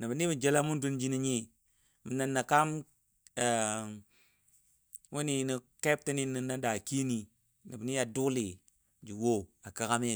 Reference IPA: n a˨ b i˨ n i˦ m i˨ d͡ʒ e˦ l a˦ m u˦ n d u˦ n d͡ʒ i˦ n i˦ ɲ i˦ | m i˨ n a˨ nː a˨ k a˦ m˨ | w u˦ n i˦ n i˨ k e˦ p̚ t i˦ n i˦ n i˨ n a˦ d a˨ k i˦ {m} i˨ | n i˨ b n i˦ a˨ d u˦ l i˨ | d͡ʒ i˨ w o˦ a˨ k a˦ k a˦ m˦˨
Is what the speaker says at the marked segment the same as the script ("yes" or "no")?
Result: no